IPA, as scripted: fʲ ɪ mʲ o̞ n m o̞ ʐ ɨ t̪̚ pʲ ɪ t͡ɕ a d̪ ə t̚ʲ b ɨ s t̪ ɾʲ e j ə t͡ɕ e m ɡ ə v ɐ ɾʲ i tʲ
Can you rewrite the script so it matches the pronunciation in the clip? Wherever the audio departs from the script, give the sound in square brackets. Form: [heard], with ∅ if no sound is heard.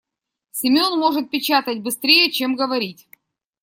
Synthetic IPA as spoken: [sʲ] ɪ mʲ o̞ n m o̞ ʐ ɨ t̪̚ pʲ ɪ t͡ɕ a [t̪] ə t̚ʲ b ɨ s t̪ ɾʲ e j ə t͡ɕ e m ɡ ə v ɐ ɾʲ i tʲ